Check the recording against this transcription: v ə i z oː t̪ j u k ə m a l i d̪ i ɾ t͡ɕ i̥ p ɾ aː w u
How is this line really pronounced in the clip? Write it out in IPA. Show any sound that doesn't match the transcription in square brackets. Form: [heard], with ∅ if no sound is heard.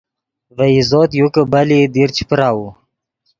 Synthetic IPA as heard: v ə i z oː t̪ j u k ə [b] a l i d̪ i ɾ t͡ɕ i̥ p ɾ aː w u